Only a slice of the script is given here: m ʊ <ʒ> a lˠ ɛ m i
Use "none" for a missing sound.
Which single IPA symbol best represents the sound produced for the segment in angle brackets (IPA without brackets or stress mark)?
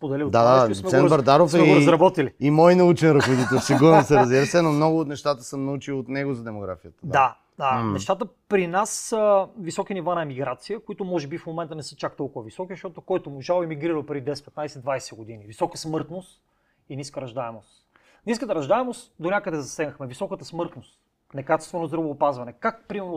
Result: ʒ